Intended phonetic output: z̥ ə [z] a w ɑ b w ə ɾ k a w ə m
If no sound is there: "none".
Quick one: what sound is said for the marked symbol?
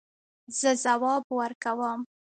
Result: z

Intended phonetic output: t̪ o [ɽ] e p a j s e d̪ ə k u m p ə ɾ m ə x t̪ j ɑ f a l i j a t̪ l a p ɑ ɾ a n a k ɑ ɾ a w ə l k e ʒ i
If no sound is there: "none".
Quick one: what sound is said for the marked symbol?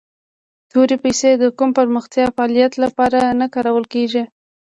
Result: ɾ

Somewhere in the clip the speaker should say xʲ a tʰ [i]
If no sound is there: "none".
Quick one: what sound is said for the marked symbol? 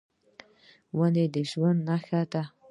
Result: a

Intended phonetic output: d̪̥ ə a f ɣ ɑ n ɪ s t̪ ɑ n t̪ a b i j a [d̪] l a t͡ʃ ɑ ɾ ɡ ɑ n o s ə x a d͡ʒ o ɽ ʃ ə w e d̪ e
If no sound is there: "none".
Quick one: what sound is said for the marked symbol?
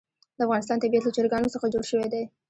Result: t̪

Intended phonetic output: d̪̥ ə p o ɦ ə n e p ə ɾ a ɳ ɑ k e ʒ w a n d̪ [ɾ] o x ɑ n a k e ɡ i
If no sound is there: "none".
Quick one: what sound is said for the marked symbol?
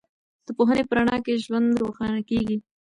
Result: ɾ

